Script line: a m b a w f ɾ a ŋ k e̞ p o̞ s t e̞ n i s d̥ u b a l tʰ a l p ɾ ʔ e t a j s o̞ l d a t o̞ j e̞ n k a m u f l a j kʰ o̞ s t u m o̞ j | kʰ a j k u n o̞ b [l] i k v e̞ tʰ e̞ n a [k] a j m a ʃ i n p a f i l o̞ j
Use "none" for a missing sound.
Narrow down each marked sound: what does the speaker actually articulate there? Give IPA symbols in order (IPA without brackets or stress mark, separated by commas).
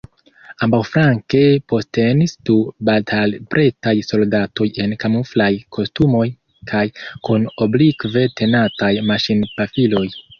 l, t